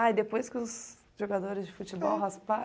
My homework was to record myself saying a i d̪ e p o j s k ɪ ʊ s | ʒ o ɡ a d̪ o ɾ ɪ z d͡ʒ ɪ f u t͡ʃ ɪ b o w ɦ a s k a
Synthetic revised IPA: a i d̪ e p o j s k ɪ ʊ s | ʒ o ɡ a d̪ o ɾ ɪ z d͡ʒ ɪ f u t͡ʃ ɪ b ɔ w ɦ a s p a